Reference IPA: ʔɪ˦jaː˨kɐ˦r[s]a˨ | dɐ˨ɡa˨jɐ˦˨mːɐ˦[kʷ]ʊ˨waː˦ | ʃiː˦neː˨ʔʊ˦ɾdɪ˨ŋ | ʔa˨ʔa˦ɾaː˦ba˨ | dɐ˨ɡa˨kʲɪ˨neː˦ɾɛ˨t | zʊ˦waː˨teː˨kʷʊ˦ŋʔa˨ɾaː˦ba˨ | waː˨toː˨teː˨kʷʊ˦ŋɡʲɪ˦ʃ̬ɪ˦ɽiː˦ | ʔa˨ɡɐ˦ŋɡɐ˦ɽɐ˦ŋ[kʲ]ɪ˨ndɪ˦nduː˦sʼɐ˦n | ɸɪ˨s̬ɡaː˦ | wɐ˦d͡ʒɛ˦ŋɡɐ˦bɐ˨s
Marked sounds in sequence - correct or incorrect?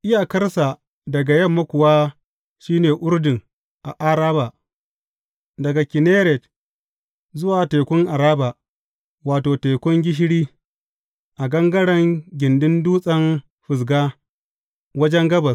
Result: correct, correct, incorrect

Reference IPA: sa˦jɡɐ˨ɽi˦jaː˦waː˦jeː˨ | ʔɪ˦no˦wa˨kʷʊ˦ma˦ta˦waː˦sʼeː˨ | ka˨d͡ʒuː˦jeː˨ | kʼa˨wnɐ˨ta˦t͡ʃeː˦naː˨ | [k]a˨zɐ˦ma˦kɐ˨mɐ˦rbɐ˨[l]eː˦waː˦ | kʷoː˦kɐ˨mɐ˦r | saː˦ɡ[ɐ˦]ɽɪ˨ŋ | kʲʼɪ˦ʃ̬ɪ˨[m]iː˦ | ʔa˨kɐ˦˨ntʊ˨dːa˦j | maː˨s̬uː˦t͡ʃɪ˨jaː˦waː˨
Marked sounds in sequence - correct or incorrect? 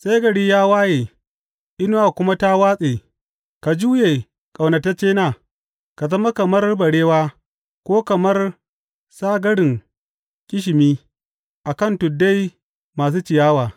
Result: correct, incorrect, correct, correct

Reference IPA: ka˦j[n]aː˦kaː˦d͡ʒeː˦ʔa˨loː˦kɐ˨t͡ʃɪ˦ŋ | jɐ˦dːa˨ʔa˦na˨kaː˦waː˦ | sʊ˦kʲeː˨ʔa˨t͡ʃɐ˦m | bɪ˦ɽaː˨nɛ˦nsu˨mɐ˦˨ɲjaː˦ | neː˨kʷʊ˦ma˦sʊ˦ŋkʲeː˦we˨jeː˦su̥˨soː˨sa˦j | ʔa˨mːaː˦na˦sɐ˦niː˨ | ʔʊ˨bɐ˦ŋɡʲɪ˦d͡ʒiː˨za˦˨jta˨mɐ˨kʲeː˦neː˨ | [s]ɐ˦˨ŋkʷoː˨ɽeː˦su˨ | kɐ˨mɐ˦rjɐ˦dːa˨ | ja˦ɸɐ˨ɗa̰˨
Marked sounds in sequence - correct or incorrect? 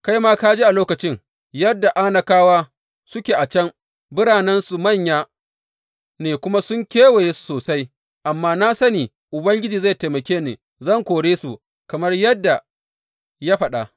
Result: incorrect, incorrect

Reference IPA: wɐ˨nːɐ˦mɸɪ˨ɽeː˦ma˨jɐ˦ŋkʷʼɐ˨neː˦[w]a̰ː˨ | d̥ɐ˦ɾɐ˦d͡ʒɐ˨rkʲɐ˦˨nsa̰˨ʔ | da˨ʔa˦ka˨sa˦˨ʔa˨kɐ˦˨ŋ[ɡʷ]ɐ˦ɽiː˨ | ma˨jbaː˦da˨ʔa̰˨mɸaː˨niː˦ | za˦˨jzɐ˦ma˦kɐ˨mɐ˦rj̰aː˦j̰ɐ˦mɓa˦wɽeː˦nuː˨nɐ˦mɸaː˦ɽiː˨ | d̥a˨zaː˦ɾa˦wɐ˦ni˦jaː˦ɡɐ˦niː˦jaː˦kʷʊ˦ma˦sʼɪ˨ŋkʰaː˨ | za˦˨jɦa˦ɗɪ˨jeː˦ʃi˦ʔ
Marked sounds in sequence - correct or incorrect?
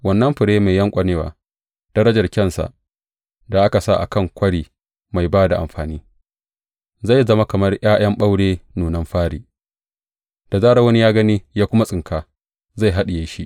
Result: correct, incorrect

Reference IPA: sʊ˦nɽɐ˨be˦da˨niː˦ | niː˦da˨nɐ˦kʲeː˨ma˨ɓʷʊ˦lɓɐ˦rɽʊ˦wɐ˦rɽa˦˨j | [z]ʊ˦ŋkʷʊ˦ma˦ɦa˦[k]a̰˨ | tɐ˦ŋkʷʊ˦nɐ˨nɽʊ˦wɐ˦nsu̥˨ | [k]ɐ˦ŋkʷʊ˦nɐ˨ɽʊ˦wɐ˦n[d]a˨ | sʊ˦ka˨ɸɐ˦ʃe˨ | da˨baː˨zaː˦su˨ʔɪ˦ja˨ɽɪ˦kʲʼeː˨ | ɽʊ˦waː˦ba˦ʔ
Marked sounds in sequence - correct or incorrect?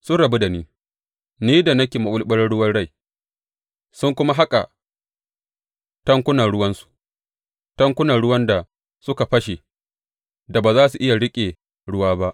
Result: incorrect, incorrect, incorrect, correct

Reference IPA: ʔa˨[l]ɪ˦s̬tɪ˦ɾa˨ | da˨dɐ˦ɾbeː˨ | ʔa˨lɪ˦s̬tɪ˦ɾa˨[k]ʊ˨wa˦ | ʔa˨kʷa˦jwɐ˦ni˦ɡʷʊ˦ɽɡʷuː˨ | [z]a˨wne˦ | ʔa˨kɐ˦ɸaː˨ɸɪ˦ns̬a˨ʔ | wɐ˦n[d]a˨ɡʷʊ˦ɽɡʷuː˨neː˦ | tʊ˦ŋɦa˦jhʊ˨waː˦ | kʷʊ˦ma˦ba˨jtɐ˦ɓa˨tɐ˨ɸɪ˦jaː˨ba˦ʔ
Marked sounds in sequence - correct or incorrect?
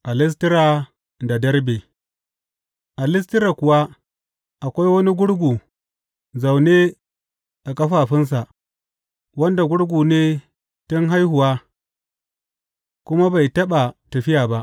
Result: correct, correct, correct, correct

